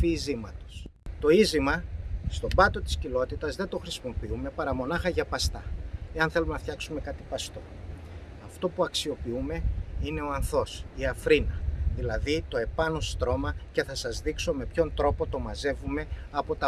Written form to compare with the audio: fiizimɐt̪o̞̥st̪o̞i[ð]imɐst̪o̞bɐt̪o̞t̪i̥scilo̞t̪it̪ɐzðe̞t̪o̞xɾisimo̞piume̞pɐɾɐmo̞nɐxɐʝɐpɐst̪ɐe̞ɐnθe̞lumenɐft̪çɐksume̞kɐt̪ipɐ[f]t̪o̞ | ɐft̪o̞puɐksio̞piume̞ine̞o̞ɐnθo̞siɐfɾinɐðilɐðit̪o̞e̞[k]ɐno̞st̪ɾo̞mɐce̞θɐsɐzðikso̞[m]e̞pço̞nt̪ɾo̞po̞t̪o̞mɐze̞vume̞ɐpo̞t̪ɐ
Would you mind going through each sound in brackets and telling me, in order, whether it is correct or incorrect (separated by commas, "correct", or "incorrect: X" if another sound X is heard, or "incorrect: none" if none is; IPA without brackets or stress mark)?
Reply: incorrect: z, incorrect: s, incorrect: p, correct